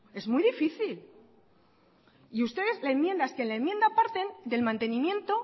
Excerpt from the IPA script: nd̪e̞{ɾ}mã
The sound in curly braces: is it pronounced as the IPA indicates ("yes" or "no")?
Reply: no